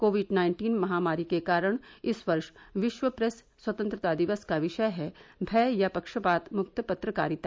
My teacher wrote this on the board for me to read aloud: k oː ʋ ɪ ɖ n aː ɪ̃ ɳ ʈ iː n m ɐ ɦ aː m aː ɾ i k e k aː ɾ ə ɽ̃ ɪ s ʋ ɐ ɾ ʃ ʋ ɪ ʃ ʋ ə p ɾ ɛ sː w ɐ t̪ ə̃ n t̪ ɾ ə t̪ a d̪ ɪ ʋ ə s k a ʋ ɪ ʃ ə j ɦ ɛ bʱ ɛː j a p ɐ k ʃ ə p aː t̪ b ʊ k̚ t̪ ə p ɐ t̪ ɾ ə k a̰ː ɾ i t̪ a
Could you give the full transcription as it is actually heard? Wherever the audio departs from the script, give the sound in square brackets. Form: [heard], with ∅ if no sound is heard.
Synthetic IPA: k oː ʋ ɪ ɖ n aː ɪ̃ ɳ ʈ iː n m ɐ ɦ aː m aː ɾ i k e k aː ɾ ə ɽ̃ ɪ s ʋ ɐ ɾ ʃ ʋ ɪ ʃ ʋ ə p ɾ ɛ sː w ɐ t̪ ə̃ n t̪ ɾ ə t̪ a d̪ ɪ ʋ ə s k a ʋ ɪ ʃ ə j ɦ ɛ bʱ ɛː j a p ɐ k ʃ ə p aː t̪ [m] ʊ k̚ t̪ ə p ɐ t̪ ɾ ə k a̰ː ɾ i t̪ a